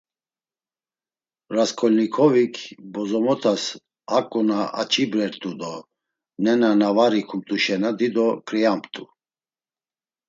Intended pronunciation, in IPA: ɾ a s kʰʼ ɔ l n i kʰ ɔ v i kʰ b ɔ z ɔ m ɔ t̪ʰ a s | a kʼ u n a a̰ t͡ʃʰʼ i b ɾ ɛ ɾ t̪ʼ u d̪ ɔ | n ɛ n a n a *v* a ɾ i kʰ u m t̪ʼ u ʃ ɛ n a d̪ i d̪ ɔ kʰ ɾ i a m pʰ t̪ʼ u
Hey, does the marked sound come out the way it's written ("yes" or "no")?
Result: yes